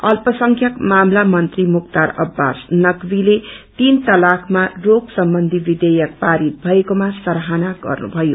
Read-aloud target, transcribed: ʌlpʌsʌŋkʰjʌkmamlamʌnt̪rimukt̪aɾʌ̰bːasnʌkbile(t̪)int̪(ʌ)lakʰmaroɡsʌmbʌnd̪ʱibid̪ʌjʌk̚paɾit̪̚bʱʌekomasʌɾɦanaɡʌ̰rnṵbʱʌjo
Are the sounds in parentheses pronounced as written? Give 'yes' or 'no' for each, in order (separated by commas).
yes, yes